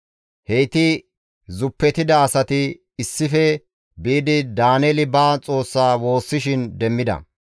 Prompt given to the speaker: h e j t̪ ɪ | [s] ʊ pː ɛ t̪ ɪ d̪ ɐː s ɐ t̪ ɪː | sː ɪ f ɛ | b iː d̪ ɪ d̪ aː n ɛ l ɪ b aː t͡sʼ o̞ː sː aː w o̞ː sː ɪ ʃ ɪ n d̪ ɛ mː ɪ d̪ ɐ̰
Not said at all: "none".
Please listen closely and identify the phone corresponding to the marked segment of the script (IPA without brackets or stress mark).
z